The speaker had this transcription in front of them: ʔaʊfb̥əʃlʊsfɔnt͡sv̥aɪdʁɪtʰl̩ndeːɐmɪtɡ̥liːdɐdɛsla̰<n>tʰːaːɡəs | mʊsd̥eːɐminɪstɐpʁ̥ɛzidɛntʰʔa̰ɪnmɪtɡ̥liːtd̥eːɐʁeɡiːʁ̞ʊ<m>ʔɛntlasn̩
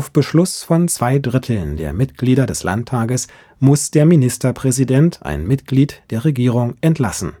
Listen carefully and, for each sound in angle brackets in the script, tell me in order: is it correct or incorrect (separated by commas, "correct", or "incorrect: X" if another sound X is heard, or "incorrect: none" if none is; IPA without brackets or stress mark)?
correct, incorrect: ŋ